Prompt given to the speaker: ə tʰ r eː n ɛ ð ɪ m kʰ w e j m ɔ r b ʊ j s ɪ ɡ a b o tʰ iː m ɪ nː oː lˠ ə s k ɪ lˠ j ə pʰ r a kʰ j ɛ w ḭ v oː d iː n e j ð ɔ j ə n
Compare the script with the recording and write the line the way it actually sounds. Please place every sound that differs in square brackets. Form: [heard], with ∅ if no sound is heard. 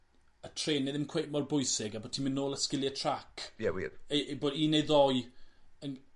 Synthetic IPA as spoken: ə tʰ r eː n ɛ ð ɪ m kʰ w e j m ɔ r b ʊ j s ɪ ɡ a b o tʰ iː m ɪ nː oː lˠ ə s k ɪ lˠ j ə [tʰ] r a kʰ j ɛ w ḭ [b] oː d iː n e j ð ɔ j ə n